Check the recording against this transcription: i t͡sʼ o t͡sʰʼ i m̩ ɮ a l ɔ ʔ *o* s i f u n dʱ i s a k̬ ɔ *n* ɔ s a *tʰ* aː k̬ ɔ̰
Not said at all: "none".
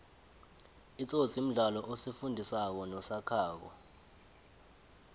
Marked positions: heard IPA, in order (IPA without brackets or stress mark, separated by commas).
o, n, kʰ